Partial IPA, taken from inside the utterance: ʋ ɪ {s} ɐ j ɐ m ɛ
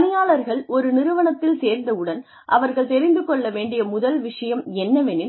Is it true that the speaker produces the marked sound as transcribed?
no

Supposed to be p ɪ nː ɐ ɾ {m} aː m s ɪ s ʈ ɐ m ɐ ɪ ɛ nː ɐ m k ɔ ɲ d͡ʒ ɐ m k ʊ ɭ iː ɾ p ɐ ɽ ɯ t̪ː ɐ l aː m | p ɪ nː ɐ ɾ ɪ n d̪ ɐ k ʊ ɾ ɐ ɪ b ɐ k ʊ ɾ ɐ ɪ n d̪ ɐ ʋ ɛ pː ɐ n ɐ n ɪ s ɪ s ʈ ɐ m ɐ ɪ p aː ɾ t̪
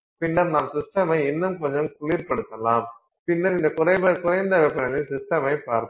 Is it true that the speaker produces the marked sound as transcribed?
no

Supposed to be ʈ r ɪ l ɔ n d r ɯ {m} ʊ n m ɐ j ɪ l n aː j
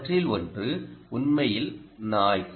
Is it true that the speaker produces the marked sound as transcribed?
no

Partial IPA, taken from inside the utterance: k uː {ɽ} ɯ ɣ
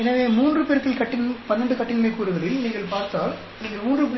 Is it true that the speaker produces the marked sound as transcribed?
no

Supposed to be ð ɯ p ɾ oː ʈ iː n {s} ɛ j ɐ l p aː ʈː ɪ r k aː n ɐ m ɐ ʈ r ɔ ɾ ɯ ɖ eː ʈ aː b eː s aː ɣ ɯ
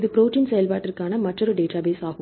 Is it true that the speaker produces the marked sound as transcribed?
yes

